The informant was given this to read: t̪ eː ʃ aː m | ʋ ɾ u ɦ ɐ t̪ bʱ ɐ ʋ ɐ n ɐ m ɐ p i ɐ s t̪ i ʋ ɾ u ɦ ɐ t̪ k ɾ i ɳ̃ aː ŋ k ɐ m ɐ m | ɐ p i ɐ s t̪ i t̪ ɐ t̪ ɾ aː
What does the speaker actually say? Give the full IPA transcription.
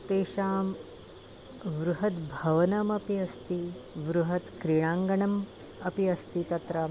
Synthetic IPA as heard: t̪ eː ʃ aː m | ʋ ɾ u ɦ ɐ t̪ bʱ ɐ ʋ ɐ n ɐ m ɐ p i ɐ s t̪ i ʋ ɾ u ɦ ɐ t̪ k ɾ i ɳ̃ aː ŋ ɡ ɐ ɳ ɐ m | ɐ p i ɐ s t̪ i t̪ ɐ t̪ ɾ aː